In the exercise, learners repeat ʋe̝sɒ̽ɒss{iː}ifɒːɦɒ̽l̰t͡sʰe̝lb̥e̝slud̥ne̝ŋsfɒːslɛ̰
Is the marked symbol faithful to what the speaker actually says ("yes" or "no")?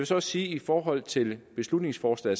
yes